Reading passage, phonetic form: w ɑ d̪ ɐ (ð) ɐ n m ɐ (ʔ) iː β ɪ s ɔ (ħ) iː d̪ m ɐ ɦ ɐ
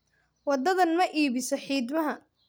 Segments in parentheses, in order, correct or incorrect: correct, correct, correct

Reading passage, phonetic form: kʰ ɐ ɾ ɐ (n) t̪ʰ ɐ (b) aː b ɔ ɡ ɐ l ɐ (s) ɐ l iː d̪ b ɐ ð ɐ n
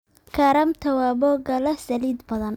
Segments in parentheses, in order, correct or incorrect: incorrect, incorrect, correct

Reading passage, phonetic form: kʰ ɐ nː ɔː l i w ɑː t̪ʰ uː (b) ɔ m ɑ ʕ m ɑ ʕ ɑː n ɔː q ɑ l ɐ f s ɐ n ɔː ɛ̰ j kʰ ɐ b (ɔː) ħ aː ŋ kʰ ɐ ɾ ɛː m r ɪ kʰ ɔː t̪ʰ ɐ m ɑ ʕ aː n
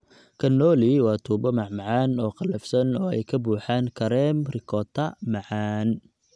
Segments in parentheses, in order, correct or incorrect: correct, incorrect

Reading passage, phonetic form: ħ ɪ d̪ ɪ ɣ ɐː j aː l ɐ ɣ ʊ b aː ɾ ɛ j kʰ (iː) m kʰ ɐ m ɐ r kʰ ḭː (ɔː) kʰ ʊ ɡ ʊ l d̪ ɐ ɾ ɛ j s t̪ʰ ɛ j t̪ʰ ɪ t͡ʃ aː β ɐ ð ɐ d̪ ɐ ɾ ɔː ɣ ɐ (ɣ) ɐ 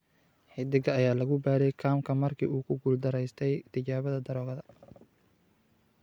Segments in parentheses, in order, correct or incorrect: incorrect, incorrect, incorrect

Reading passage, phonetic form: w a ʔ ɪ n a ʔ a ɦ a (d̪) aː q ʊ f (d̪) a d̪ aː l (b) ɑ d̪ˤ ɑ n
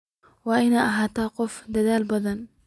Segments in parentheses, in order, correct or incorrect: incorrect, correct, correct

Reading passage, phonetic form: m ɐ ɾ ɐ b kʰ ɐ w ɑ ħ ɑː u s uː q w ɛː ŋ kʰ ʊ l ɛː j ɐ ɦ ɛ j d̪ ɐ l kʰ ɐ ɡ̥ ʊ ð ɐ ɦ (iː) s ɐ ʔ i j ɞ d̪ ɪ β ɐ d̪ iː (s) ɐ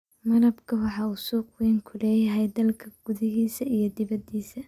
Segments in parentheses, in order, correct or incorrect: correct, correct

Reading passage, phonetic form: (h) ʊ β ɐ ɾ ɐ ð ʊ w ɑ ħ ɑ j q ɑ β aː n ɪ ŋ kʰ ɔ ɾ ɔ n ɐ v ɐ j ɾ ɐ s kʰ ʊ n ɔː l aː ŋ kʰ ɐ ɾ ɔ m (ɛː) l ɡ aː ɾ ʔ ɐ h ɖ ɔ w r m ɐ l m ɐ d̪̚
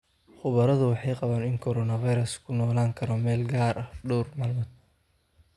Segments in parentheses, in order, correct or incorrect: incorrect, correct

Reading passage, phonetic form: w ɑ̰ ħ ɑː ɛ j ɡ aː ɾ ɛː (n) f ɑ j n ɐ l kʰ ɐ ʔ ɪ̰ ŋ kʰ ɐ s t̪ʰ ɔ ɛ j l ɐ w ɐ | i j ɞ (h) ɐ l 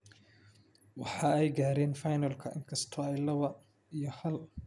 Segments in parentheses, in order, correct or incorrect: correct, correct

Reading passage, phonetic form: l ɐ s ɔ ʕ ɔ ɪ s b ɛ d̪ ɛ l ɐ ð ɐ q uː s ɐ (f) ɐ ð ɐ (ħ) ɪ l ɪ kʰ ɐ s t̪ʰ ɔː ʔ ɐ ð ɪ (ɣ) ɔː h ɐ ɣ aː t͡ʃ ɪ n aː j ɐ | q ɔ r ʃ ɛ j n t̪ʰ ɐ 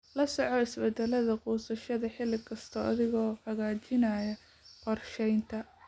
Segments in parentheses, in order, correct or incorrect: incorrect, correct, correct

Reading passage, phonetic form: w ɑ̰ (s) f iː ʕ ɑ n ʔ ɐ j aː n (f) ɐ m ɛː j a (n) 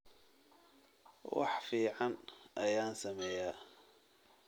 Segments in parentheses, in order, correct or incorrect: incorrect, incorrect, incorrect

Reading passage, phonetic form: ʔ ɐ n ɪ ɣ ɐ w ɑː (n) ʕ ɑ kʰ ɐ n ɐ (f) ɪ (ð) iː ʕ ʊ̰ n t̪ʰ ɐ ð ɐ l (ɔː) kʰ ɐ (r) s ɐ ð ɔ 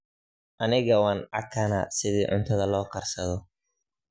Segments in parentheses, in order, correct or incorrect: correct, incorrect, correct, correct, correct

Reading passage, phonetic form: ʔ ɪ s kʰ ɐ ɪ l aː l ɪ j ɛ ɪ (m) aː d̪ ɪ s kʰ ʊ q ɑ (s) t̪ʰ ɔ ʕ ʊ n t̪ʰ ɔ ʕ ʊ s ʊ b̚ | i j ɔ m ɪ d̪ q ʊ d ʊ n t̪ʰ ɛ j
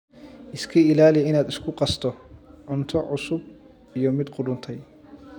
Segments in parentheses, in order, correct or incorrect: incorrect, correct

